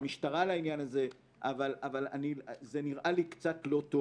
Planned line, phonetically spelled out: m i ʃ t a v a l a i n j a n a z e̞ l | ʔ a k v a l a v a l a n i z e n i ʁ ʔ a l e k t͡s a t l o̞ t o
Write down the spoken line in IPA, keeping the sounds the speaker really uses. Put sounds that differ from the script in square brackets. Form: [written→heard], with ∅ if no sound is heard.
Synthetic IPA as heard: m i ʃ t a [v→ʁ] a l a i n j a n a z e̞ [l→∅] | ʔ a [k→∅] v a l a v a l a n i z e n i ʁ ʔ a l [e→i] k t͡s a t l o̞ t o